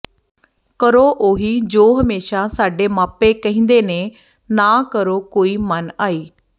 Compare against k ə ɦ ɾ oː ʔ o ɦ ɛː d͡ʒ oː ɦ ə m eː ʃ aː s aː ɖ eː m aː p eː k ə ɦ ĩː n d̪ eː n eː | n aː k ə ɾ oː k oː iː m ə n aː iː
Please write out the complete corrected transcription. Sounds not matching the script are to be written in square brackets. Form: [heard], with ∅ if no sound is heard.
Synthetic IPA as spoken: k ə [∅] ɾ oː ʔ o ɦ [iː] d͡ʒ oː ɦ ə m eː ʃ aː s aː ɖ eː m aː p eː k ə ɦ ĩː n d̪ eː n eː | n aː k ə ɾ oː k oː iː m ə n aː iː